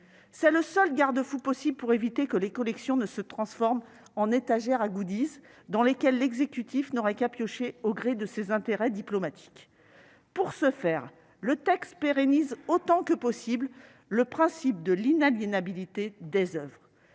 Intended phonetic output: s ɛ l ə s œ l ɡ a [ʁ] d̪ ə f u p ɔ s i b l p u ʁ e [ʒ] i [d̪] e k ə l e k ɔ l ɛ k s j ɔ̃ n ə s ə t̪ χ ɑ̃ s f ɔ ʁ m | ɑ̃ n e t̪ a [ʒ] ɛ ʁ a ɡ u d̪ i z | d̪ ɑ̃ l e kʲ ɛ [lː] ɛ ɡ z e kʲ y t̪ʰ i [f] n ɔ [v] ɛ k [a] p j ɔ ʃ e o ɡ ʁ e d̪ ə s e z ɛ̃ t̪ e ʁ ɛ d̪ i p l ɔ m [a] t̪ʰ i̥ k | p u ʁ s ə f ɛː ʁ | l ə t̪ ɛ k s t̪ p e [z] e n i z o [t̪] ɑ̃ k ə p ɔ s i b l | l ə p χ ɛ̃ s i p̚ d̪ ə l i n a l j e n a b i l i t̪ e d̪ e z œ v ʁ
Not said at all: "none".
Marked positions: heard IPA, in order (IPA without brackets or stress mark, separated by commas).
ʁ, v, t̪, ʒ, lː, f, ʁ, a, a, ʁ, t̪